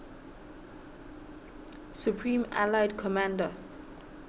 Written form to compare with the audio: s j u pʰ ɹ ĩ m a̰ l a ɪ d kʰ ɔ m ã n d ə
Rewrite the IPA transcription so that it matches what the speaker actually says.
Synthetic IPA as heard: s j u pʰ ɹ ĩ m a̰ l a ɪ d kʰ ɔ m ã n d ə